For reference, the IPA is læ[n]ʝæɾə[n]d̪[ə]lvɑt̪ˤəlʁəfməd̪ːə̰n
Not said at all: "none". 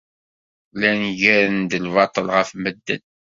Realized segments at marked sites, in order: n, n, ə

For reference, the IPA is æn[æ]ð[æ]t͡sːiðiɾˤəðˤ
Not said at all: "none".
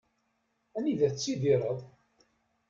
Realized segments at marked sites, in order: i, æ

